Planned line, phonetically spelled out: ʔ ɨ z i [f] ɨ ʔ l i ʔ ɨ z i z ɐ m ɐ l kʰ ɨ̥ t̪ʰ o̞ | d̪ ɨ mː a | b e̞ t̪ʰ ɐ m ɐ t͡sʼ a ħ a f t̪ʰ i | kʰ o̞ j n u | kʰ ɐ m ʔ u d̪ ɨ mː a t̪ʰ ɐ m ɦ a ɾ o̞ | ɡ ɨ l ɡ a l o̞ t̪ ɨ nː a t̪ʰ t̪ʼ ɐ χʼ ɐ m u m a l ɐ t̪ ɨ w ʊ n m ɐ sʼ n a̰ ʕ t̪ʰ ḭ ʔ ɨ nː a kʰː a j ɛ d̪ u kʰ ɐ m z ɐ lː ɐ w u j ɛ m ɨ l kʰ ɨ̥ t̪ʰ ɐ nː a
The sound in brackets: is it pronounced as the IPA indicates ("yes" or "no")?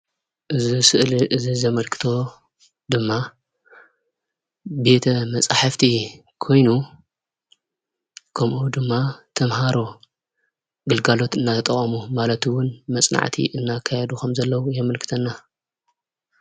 no